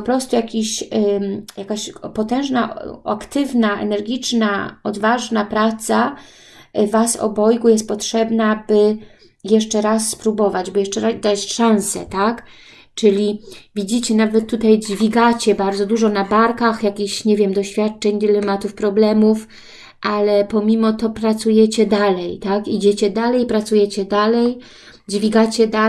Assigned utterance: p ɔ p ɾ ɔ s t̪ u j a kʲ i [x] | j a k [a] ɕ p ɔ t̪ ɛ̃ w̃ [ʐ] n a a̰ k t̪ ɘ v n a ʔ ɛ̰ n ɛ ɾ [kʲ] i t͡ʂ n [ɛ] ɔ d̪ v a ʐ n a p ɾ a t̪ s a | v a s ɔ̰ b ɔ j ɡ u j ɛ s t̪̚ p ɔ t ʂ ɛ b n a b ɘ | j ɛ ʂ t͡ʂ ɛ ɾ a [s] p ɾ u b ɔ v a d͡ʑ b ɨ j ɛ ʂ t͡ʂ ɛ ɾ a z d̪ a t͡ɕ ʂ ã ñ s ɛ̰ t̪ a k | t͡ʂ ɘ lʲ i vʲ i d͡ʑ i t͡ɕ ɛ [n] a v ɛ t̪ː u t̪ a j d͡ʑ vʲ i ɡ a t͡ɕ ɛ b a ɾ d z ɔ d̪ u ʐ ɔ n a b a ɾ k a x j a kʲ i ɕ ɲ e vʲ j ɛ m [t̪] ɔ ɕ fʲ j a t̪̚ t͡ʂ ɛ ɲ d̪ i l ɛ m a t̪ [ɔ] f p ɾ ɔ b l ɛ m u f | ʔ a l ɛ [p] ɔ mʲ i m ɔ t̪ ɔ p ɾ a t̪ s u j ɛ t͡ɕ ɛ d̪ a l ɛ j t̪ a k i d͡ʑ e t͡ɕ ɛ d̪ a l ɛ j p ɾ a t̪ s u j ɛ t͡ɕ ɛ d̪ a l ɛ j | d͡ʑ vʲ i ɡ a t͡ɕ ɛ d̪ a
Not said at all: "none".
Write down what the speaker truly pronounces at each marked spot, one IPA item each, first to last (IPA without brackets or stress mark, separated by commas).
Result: ɕ, a, ʐ, ɡʲ, a, sː, n, d̪, u, p